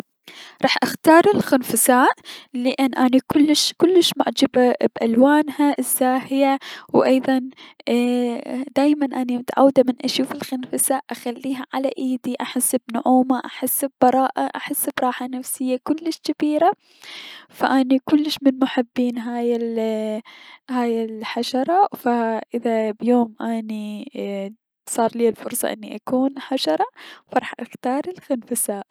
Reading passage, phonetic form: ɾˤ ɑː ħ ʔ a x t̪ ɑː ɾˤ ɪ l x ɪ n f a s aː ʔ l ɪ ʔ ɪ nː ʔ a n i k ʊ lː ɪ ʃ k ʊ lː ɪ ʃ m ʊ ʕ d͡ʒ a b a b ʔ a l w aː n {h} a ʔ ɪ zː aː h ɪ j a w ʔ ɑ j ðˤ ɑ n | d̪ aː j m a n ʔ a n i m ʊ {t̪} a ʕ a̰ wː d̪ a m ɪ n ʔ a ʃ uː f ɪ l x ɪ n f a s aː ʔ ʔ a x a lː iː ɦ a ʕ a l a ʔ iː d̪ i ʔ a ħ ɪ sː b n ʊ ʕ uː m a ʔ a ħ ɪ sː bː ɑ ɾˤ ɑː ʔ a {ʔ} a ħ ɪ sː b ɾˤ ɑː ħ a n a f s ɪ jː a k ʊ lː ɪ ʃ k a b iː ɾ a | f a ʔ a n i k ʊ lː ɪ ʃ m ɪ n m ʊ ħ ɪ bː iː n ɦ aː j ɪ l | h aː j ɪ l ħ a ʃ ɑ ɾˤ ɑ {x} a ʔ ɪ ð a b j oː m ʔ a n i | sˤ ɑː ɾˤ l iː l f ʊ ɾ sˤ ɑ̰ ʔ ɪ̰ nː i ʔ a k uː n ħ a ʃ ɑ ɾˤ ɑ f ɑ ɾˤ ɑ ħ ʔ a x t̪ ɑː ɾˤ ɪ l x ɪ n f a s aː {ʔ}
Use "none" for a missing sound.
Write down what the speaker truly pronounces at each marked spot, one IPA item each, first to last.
h, t̪, ʔ, f, ʔ

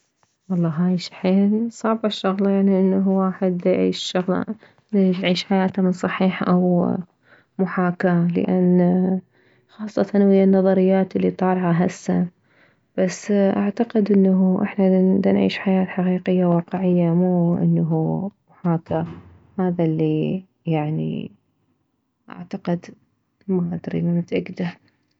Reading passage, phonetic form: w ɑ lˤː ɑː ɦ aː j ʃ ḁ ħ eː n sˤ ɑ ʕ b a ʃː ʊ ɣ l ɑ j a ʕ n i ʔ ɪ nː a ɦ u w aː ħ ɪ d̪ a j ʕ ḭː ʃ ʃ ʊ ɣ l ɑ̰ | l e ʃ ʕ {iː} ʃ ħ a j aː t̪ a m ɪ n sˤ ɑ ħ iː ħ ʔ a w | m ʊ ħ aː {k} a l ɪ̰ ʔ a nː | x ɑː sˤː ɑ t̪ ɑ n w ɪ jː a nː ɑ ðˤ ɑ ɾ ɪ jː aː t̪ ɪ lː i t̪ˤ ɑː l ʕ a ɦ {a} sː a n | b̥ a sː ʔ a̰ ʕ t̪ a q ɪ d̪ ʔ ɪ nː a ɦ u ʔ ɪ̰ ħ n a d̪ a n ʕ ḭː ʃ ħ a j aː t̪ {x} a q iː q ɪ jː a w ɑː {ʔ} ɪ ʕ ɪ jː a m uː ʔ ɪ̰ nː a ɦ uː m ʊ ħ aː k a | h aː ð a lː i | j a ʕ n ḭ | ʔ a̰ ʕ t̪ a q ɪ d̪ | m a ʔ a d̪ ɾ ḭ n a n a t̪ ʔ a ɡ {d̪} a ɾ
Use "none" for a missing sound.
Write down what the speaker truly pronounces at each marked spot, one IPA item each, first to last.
iː, k, a, ħ, q, d̪

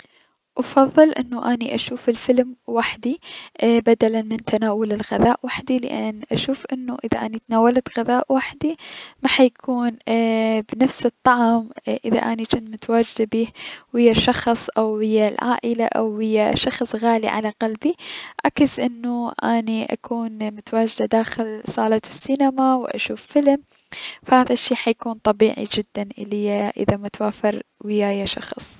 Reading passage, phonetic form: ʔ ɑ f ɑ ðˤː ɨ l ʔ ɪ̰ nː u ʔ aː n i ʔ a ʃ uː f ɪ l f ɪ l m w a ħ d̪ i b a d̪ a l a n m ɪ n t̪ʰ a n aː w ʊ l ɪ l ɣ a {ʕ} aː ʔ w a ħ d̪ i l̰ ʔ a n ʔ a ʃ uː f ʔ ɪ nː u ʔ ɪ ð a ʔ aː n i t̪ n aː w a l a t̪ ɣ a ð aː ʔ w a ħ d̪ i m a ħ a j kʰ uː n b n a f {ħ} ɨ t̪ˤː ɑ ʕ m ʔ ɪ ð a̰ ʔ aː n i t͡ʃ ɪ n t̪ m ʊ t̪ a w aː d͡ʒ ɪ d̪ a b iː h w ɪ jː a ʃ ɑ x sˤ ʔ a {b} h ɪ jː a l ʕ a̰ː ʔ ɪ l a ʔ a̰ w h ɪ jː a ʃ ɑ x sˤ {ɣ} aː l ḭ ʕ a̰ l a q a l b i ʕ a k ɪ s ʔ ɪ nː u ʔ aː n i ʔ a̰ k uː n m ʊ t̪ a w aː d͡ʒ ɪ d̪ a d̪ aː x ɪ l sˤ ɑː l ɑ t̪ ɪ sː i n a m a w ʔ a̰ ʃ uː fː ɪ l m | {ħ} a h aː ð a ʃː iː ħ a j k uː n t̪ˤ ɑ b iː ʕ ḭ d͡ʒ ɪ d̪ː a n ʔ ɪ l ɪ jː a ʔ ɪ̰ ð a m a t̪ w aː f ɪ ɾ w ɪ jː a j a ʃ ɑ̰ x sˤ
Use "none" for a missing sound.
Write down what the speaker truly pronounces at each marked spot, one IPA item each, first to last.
ð, s, w, ɣ, f

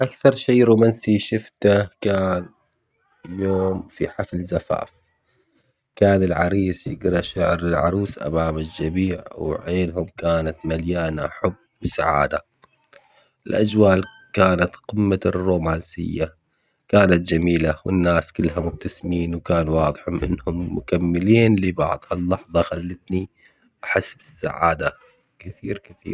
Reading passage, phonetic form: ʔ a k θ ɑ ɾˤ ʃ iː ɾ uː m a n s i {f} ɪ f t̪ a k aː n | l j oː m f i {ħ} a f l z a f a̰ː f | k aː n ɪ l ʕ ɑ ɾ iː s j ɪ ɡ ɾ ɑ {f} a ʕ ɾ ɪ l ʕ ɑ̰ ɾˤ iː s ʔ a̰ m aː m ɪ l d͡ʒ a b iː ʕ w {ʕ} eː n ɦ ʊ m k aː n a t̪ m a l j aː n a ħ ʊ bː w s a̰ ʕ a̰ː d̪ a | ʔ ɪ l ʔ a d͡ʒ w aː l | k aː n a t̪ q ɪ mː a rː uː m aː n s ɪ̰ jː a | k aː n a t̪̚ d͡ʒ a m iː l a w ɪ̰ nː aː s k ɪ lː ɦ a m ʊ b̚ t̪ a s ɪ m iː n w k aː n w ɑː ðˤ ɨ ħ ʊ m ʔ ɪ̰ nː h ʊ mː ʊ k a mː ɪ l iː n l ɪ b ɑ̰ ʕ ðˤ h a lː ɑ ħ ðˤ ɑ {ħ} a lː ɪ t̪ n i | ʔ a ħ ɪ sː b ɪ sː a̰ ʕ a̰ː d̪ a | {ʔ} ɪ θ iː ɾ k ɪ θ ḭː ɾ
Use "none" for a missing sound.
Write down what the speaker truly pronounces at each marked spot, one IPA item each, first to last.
ʃ, ħ, ʃ, ʕ, x, k

